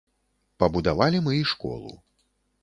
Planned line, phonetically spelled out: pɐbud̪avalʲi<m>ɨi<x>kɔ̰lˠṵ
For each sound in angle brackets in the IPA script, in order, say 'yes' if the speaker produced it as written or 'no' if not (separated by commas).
yes, no